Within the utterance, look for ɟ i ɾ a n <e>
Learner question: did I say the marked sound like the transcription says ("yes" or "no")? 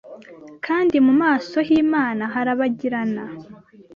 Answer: no